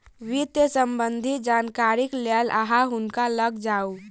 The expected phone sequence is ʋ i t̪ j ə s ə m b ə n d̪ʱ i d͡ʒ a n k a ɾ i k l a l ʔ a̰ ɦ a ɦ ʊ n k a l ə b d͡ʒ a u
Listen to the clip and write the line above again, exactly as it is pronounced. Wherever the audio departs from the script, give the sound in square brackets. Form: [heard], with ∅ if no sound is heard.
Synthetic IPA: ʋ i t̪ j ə s ə m b ə n d̪ʱ i d͡ʒ a n k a ɾ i k l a l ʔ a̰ ɦ a ɦ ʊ n k a l ə [ɡ] d͡ʒ a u

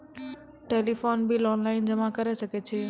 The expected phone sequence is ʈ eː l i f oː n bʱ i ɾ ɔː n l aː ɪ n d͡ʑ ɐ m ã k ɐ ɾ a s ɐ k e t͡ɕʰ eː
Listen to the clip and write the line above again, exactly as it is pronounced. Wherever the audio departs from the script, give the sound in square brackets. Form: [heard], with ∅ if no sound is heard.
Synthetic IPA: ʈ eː l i f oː n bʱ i [l] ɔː n l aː ɪ n d͡ʑ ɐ m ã k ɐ ɾ [e] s ɐ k e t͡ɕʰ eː

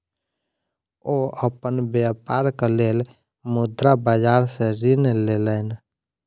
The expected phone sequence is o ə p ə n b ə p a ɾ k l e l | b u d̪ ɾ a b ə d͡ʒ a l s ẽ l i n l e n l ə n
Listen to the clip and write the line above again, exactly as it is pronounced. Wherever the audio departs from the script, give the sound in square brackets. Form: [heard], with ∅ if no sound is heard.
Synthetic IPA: o ə p ə n b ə p a ɾ k l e l | [m] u d̪ ɾ a b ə d͡ʒ a [ɾ] s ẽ [ɾ] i n l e [∅] l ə n

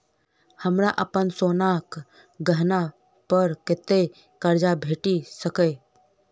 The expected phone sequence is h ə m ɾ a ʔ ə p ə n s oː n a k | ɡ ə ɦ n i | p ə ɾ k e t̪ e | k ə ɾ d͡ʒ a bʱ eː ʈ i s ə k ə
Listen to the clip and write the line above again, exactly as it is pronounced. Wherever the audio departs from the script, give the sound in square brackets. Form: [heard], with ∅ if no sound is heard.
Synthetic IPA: h ə m ɾ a ʔ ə p ə n s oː n a k | ɡ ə ɦ n [a] | p ə ɾ k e t̪ e | k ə ɾ d͡ʒ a bʱ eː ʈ i s ə k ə

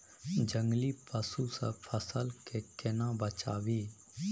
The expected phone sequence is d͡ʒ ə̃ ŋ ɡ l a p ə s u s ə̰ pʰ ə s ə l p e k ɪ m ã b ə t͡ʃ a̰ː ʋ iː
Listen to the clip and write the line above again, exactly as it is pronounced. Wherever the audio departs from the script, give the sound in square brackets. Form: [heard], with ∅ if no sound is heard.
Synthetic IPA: d͡ʒ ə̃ ŋ ɡ l [i] p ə s u s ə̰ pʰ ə s ə l [k] e k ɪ [n] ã b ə t͡ʃ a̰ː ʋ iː

